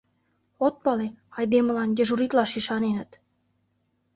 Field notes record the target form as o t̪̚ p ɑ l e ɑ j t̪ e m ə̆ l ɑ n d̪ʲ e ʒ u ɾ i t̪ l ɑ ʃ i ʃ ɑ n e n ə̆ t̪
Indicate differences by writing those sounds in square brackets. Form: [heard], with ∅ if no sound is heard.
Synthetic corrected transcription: o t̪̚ p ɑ l e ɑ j [d̪] e m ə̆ l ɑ n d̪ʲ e ʒ u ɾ i t̪ l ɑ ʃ i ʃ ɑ n e n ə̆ t̪